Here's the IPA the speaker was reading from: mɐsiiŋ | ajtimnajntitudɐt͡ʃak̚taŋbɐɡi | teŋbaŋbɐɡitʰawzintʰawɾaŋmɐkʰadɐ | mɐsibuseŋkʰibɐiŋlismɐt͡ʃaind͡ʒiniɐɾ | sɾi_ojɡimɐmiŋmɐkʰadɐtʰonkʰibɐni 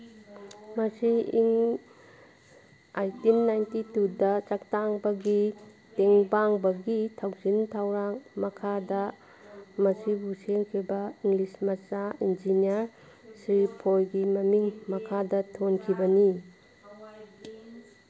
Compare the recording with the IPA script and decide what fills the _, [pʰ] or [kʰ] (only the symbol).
pʰ